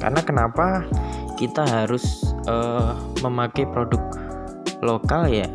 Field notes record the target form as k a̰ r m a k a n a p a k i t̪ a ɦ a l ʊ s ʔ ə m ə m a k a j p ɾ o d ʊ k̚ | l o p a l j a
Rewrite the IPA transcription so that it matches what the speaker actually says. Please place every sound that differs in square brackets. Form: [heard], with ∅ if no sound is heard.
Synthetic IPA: k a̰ r [n] a k [ə] n a p a k i t̪ a ɦ a [ɾ] ʊ s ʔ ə m ə m a k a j p ɾ o d ʊ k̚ | l o [k] a l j a